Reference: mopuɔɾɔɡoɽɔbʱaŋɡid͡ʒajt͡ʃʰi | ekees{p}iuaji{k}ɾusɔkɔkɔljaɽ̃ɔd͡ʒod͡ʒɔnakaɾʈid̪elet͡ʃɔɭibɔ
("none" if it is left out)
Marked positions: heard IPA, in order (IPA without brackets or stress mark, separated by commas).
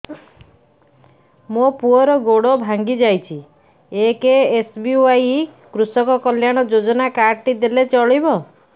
b, k